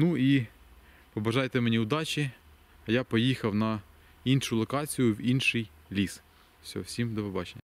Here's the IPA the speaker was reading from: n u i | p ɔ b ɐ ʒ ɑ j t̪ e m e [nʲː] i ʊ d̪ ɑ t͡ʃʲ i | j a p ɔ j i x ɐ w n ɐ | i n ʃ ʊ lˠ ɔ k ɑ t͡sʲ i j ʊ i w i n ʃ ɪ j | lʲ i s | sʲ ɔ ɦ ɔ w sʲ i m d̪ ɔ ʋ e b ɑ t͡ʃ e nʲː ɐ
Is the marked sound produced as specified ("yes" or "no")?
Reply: no